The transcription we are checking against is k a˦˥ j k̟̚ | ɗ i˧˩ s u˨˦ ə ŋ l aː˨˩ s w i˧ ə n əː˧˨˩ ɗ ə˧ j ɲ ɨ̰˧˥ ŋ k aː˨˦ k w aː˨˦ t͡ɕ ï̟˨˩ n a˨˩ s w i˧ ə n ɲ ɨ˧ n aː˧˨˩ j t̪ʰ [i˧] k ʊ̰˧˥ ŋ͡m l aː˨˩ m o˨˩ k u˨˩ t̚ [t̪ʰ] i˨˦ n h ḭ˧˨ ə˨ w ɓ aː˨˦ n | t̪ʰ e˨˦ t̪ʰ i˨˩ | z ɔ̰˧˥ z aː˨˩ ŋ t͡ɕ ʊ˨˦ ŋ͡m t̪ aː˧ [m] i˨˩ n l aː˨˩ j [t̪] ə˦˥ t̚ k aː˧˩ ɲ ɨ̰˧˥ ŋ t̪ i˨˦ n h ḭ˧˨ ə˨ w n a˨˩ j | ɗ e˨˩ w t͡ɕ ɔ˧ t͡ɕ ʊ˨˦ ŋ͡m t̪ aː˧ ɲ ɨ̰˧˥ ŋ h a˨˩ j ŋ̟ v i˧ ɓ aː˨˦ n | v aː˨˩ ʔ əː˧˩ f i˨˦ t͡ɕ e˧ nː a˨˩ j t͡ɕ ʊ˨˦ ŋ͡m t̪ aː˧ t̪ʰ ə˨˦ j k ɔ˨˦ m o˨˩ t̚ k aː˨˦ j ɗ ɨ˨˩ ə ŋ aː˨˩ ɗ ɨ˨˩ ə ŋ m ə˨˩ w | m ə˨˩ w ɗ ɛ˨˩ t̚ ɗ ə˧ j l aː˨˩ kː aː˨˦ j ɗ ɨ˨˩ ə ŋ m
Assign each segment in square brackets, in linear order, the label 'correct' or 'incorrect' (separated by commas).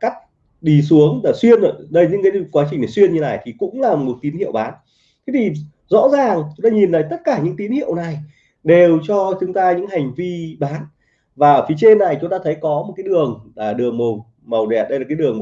incorrect, incorrect, incorrect, correct